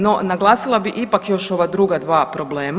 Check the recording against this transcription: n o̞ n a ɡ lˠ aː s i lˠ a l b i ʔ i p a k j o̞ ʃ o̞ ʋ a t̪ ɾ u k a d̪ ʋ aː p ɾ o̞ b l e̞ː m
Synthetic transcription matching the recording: n o̞ n a ɡ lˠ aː s i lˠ a b i ʔ i p a k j o̞ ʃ o̞ ʋ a d̪ ɾ u ɡ a d̪ ʋ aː p ɾ o̞ b l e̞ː m